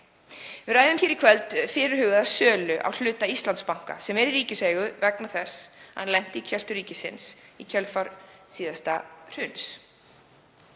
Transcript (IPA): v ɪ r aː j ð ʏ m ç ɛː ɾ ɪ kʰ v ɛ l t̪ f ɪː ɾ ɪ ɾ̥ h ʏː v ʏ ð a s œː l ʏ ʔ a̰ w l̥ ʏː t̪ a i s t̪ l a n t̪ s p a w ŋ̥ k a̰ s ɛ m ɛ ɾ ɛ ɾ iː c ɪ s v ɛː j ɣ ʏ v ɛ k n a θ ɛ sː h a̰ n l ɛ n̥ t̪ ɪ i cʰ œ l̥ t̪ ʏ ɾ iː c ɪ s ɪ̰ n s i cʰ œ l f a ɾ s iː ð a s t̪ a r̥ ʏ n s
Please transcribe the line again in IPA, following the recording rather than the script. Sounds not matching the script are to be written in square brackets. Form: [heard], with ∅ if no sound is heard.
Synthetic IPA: v ɪ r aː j ð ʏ m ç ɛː ɾ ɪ kʰ v ɛ l t̪ f ɪː ɾ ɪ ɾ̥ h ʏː [ɣ] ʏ ð a s œː l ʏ ʔ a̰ w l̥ ʏː t̪ a i s t̪ l a n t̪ s p a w ŋ̥ k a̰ s ɛ m ɛ ɾ [i] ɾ iː c ɪ s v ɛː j ɣ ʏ v ɛ k n a θ ɛ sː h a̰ n l ɛ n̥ t̪ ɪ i cʰ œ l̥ t̪ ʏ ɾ iː c ɪ s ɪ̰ n s i cʰ œ l f a ɾ s iː ð a s t̪ a r̥ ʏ n s